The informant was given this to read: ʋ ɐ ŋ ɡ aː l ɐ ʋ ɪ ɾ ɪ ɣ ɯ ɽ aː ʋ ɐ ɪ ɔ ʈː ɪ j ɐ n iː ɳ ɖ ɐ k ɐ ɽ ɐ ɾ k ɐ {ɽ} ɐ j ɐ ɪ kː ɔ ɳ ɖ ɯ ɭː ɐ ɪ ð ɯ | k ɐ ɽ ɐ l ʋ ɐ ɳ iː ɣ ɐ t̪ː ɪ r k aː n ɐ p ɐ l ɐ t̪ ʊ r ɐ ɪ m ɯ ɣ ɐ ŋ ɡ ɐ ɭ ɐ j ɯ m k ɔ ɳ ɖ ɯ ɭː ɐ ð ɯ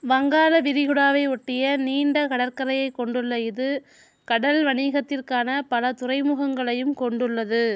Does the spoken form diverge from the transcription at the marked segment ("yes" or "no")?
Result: yes